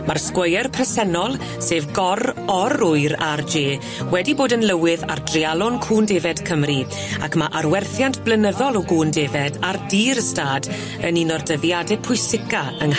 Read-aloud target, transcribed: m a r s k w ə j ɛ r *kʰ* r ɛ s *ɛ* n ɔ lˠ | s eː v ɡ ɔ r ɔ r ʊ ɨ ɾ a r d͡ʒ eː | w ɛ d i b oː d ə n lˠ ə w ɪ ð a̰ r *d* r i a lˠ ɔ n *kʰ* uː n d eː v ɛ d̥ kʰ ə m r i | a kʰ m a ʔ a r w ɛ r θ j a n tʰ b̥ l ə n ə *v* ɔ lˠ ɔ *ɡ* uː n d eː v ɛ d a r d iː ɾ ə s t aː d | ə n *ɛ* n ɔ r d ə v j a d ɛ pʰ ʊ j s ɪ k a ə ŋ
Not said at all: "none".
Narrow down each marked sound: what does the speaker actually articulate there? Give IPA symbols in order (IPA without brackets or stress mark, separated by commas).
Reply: pʰ, ɛ, d, kʰ, ð, ɡ, i